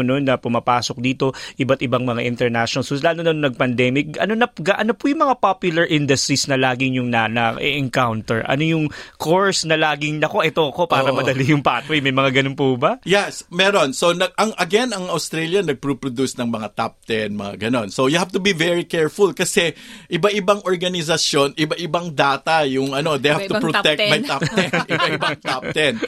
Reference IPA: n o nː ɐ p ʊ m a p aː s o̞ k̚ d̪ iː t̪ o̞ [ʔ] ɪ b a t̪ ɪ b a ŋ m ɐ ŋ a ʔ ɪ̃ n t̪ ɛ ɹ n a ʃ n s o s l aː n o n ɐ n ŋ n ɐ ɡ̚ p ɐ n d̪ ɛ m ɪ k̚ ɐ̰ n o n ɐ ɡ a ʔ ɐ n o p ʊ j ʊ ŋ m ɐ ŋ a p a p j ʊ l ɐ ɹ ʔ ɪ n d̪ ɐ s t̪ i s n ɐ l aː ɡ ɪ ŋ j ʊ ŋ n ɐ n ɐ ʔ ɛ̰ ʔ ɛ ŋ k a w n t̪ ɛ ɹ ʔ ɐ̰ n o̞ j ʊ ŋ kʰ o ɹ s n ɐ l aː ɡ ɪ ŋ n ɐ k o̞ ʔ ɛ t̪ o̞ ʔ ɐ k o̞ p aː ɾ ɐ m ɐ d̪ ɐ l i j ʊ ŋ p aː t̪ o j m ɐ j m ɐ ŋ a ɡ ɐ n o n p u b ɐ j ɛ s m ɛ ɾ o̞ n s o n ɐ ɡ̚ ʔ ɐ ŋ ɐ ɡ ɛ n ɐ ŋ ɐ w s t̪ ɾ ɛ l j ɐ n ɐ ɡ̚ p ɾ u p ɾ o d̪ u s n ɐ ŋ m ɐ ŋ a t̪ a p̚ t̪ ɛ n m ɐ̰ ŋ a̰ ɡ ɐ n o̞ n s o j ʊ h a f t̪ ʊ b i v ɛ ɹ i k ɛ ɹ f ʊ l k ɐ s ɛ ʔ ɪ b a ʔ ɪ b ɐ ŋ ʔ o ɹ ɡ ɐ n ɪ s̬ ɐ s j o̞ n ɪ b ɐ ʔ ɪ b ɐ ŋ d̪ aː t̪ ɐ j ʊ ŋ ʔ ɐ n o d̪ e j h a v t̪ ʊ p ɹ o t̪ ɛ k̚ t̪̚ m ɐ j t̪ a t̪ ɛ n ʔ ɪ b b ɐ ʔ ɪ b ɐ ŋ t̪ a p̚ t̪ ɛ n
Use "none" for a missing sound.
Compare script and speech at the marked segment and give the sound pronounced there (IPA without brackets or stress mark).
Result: ʔ